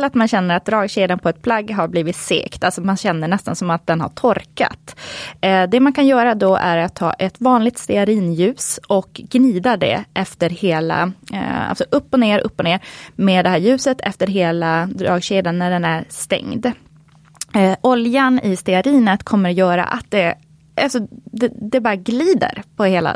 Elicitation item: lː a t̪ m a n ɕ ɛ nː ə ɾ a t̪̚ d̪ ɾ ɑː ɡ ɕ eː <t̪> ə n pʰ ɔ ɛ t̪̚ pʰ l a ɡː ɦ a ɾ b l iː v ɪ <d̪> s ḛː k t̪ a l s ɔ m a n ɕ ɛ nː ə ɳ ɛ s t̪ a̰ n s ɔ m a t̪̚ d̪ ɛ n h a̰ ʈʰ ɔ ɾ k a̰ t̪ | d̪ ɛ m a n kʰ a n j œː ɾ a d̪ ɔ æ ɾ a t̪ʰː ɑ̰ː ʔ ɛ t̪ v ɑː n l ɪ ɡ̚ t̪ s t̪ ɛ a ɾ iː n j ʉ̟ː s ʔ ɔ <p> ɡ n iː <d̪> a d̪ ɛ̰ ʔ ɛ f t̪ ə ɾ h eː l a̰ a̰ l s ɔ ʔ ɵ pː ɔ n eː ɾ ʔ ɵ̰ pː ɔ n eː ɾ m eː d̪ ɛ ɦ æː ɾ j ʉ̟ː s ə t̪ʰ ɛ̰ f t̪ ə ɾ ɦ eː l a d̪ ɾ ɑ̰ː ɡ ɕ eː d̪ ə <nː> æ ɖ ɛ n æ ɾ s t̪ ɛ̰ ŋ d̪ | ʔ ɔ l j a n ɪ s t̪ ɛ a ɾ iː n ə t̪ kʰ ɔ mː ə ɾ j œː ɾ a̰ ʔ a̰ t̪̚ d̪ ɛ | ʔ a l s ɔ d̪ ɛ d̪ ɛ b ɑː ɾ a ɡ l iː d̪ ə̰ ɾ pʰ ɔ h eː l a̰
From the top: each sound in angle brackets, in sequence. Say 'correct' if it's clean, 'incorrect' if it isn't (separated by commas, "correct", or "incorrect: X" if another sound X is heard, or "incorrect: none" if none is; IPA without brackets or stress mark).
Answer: incorrect: d̪, incorrect: t̪, incorrect: k, correct, correct